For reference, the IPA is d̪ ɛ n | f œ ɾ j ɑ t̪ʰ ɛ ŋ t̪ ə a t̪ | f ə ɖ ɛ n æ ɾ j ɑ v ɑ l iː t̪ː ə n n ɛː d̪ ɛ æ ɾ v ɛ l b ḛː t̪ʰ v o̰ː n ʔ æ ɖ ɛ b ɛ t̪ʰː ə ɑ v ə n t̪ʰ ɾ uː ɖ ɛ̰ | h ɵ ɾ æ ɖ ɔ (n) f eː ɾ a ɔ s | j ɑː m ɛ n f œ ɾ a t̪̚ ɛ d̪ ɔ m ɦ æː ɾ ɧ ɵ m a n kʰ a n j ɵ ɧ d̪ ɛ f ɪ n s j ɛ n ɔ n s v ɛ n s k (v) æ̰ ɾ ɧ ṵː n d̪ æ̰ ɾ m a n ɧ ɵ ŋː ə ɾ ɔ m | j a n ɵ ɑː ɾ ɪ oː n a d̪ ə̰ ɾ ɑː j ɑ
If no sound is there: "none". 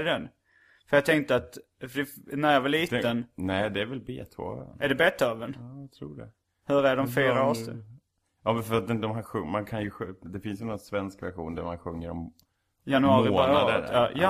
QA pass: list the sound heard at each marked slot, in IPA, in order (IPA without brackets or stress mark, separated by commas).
m, v